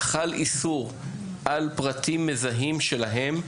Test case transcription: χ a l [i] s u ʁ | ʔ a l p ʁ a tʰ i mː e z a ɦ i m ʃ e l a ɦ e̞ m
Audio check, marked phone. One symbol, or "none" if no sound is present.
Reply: i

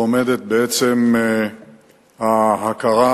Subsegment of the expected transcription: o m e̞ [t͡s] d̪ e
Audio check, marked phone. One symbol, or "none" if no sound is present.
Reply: none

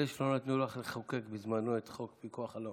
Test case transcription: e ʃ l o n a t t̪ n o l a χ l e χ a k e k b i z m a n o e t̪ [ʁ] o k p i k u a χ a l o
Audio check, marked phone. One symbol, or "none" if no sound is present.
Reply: χ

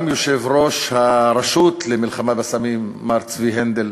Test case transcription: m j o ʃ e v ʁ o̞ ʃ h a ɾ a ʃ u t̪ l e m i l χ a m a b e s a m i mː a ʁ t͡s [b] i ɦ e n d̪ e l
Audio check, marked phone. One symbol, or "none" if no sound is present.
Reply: v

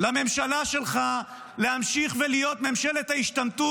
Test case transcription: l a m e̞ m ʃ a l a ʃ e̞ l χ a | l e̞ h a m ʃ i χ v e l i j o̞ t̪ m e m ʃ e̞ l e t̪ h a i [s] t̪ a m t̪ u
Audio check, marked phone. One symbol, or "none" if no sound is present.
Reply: ʃ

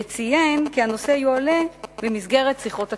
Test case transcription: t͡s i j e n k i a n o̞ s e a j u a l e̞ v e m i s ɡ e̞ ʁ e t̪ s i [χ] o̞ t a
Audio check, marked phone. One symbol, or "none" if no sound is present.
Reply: χ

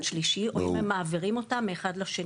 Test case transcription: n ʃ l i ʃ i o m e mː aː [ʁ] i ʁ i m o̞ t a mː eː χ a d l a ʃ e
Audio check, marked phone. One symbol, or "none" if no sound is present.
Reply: v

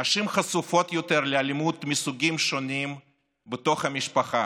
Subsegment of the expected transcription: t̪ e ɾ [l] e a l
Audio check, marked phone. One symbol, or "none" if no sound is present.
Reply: l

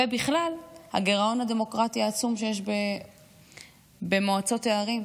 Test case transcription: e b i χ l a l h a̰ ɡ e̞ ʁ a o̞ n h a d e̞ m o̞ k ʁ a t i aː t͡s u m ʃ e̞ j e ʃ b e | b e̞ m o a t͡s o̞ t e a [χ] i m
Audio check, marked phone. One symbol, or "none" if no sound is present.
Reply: ʁ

